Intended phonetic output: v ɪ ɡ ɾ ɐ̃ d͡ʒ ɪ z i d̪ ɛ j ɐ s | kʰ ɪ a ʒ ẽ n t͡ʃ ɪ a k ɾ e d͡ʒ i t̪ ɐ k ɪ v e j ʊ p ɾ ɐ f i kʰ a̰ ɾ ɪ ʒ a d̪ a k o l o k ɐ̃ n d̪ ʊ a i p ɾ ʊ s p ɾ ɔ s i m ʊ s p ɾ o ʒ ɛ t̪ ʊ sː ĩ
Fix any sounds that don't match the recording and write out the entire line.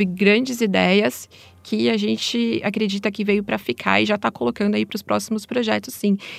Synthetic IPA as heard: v ɪ ɡ ɾ ɐ̃ d͡ʒ ɪ z i d̪ ɛ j ɐ s | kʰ ɪ a ʒ ẽ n t͡ʃ ɪ a k ɾ e d͡ʒ i t̪ ɐ k ɪ v e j ʊ p ɾ ɐ f i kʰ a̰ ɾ ɪ ʒ a t̪ a k o l o k ɐ̃ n d̪ ʊ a i p ɾ ʊ s p ɾ ɔ s i m ʊ s p ɾ o ʒ ɛ t̪ ʊ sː ĩ